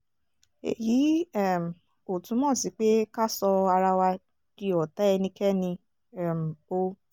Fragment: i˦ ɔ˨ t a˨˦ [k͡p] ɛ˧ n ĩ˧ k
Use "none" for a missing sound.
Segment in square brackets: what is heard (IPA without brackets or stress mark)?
none